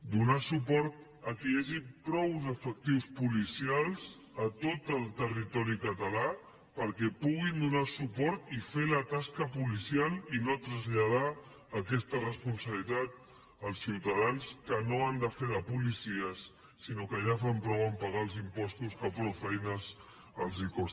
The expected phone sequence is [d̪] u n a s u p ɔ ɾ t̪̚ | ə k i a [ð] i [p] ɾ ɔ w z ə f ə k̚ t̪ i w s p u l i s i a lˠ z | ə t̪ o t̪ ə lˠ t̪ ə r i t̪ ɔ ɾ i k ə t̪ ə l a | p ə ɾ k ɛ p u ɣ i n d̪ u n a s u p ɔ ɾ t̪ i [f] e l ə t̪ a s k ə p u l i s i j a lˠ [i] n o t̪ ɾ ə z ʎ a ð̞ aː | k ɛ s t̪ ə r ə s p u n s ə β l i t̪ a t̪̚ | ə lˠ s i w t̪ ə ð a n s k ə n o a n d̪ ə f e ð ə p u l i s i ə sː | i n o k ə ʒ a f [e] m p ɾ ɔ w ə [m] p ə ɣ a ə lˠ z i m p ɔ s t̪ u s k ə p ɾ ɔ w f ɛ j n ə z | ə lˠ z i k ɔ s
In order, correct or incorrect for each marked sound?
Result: correct, incorrect, correct, correct, correct, incorrect, correct

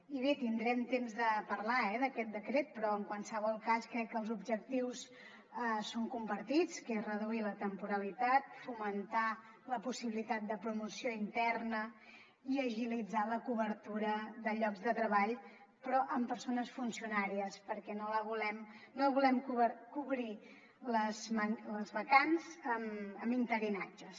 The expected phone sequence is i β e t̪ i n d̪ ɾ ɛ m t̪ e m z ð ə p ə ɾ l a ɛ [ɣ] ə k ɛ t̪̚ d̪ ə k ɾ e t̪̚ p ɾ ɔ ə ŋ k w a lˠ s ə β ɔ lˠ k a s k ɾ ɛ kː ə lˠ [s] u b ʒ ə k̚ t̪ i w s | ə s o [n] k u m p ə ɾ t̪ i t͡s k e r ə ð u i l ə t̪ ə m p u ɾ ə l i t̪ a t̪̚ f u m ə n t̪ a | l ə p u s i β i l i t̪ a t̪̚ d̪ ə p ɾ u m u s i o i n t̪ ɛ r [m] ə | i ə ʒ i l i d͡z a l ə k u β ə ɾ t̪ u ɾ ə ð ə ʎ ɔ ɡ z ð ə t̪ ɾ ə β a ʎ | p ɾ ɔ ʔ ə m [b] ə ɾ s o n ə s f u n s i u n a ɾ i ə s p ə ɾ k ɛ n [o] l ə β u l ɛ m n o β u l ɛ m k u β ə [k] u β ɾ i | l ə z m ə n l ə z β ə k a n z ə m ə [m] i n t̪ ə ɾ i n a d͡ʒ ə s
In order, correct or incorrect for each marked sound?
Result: incorrect, incorrect, incorrect, incorrect, incorrect, correct, correct, correct

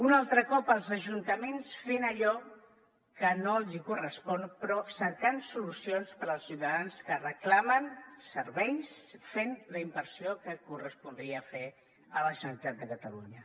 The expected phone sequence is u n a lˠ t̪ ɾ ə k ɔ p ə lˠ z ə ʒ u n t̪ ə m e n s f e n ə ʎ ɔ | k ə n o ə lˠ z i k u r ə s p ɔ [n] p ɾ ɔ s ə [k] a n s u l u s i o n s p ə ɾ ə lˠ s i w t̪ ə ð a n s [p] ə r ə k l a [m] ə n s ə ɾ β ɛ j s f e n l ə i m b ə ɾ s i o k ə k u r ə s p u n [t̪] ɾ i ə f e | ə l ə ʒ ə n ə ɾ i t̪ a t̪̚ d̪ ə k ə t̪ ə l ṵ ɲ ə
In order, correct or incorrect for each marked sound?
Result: correct, correct, incorrect, correct, incorrect

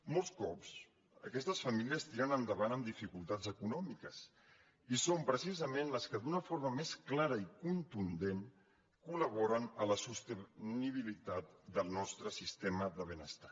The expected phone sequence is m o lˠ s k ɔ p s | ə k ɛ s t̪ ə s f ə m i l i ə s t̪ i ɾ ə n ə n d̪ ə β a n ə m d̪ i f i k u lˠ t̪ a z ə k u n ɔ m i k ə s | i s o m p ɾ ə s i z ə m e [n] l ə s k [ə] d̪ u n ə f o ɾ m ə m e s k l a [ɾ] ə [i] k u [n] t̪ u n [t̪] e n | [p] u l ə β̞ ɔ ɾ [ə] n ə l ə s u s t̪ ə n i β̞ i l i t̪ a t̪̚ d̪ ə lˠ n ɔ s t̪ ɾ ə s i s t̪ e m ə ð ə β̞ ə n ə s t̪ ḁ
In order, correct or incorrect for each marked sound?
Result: correct, correct, correct, correct, correct, incorrect, incorrect, correct

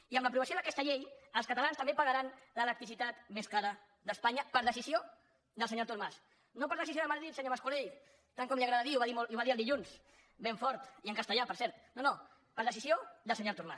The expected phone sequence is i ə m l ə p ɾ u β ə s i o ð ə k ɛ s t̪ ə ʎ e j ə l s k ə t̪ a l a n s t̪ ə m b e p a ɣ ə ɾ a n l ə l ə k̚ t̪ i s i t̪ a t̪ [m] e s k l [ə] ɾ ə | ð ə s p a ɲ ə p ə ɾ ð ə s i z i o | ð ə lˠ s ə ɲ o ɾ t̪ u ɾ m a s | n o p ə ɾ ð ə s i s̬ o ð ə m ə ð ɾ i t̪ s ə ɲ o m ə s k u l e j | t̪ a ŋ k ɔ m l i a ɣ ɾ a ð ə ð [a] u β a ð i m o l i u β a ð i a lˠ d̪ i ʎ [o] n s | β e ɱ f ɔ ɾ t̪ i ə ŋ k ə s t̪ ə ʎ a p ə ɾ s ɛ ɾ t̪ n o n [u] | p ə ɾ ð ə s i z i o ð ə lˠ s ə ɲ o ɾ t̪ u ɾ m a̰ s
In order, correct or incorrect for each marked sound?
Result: correct, incorrect, incorrect, incorrect, incorrect

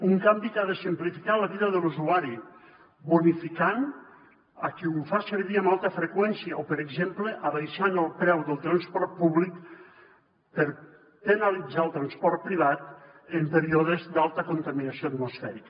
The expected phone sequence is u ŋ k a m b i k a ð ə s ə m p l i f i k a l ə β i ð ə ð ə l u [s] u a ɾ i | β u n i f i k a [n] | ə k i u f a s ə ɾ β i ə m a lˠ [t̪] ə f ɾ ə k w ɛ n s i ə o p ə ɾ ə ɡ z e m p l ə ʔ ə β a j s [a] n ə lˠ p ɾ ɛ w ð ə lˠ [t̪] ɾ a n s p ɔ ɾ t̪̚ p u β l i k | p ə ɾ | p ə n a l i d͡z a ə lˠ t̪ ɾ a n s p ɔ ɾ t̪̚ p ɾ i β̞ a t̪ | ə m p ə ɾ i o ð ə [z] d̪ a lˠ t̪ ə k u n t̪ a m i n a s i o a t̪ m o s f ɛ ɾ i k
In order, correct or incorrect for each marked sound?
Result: incorrect, correct, correct, correct, correct, correct

